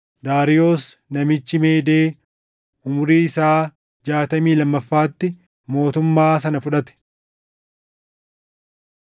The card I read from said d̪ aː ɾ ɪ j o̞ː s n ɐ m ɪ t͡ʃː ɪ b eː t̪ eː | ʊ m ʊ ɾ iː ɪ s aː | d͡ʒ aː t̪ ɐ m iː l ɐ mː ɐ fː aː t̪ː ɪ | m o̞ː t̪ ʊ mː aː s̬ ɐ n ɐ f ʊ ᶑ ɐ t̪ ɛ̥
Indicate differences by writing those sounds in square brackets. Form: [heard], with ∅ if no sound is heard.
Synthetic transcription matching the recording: d̪ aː ɾ ɪ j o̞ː s n ɐ m ɪ t͡ʃː ɪ [m] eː [d̪] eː | ʊ m ʊ ɾ iː ɪ s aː | d͡ʒ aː t̪ ɐ m iː l ɐ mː ɐ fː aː t̪ː ɪ | m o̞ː t̪ ʊ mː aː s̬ ɐ n ɐ f ʊ ᶑ ɐ t̪ ɛ̥